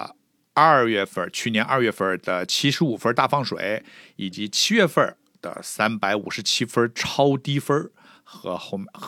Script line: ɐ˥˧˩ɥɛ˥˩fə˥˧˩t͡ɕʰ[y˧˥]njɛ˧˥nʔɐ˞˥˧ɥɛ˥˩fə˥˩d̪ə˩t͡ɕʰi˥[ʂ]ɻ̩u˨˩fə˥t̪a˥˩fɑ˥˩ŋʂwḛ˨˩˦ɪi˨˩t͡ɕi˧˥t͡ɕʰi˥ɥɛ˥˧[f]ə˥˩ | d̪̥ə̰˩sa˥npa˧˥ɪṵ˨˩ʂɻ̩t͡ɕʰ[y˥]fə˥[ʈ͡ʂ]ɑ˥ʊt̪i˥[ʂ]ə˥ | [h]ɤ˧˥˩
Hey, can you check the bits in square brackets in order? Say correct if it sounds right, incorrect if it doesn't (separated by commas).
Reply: incorrect, correct, correct, incorrect, incorrect, incorrect, incorrect